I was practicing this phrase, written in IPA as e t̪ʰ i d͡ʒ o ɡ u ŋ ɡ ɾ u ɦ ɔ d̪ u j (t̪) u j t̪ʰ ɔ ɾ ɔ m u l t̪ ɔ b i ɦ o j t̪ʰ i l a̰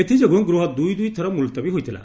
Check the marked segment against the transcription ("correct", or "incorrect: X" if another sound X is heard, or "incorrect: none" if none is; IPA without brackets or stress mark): incorrect: d̪